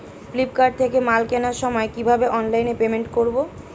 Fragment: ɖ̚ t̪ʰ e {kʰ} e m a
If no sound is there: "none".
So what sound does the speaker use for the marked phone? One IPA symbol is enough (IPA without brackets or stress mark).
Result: k